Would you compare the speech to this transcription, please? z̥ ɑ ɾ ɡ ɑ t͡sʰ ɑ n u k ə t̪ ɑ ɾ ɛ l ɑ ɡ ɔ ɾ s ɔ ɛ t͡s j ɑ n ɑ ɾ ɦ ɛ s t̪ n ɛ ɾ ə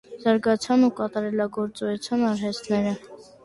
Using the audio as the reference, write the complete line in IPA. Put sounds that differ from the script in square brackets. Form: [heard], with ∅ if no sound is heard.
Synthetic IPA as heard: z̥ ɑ ɾ ɡ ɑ t͡sʰ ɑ n u k [ɑ] t̪ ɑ ɾ ɛ l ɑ ɡ ɔ ɾ [t͡s] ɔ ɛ [t͡sʰ] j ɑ n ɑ ɾ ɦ ɛ s t̪ n ɛ ɾ ə